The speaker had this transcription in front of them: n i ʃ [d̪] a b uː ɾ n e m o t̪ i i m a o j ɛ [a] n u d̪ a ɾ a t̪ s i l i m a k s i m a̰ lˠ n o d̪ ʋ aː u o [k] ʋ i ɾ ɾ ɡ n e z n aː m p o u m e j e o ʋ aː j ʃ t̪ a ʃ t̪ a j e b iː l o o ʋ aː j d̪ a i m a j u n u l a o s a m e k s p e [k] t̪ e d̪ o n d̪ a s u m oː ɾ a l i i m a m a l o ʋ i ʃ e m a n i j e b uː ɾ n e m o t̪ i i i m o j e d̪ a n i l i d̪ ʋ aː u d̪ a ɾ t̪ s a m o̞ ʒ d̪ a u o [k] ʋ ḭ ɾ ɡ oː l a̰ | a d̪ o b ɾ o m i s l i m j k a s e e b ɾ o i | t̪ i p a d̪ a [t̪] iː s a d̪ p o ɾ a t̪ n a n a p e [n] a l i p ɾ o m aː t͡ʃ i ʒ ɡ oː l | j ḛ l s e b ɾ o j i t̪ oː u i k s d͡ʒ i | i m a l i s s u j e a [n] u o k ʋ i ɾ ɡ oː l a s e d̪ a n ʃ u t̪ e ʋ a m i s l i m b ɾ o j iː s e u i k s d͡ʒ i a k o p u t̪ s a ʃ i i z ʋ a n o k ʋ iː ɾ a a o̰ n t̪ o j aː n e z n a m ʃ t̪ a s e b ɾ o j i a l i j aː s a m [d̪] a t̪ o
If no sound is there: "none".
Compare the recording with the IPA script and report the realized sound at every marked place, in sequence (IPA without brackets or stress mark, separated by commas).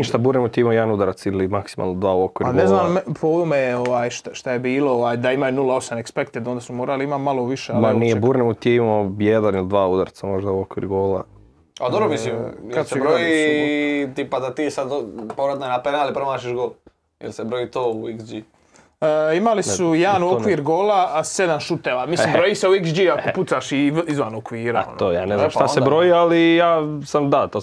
t̪, a, k, k, k, t̪, n, n, d̪